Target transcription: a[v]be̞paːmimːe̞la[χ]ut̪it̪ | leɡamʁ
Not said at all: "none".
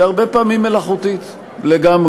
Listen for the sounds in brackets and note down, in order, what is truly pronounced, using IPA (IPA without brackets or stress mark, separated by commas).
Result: ʁ, χ